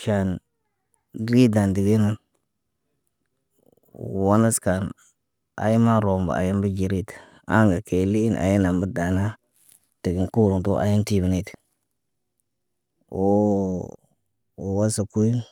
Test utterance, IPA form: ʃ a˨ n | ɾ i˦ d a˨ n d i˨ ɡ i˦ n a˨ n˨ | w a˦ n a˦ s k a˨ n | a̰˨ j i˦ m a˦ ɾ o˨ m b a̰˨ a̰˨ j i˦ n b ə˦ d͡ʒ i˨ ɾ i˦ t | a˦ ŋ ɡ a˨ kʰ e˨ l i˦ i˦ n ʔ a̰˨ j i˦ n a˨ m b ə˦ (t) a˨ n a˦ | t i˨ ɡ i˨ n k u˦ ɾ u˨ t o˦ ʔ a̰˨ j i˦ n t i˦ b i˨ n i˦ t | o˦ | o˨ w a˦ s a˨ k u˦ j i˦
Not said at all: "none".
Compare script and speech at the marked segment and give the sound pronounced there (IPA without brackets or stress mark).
d